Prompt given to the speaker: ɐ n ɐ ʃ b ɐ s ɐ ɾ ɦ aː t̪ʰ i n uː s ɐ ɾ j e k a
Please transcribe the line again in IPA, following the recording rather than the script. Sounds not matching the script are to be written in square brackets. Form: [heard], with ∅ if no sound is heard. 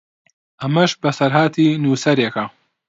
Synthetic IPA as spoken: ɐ [m] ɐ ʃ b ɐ s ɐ ɾ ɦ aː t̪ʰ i n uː s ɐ ɾ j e k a